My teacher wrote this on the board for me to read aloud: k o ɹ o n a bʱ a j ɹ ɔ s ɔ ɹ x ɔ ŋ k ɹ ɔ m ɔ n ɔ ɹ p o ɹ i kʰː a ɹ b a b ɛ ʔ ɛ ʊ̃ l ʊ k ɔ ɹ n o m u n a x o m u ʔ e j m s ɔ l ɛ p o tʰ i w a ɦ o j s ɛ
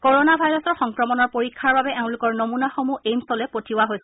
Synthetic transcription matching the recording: k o ɹ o n a bʱ a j ɹ ɔ s ɔ ɹ x ɔ ŋ k ɹ ɔ m ɔ n ɔ ɹ p o ɹ i kʰː a ɹ b a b ɛ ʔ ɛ ʊ̃ l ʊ k ɔ ɹ n o m u n a x o m u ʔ e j m s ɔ l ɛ p o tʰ i w a ɦ o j s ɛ